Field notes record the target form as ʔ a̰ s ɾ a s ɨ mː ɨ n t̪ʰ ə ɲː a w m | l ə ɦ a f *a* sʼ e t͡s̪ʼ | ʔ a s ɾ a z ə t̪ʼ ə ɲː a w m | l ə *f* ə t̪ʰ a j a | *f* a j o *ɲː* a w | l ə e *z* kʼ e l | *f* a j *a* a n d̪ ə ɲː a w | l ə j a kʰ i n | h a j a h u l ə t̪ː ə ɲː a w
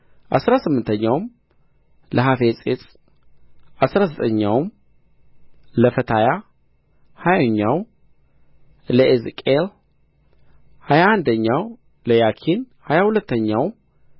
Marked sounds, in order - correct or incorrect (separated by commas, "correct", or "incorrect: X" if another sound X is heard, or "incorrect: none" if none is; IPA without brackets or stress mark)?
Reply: incorrect: e, correct, incorrect: h, correct, correct, incorrect: h, correct